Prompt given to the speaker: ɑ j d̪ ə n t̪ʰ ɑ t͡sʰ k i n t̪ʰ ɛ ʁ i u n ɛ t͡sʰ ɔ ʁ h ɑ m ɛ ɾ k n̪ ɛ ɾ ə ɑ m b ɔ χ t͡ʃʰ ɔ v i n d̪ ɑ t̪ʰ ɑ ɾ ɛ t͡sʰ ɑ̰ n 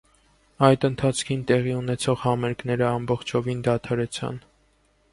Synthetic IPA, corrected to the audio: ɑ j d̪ ə n t̪ʰ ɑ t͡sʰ kʰ i n t̪ ɛ ʁ i u n ɛ t͡sʰ ɔ ʁ h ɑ m ɛ ɾ k n̪ ɛ ɾ ə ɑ m b ɔ χ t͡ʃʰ ɔ v i n d̪ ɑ t̪ʰ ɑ ɾ ɛ t͡sʰ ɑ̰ n